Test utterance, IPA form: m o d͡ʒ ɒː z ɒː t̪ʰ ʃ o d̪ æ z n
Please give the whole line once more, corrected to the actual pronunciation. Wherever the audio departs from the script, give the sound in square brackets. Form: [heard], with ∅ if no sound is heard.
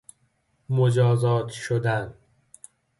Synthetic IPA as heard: m o d͡ʒ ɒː z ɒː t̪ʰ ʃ o d̪ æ [∅] n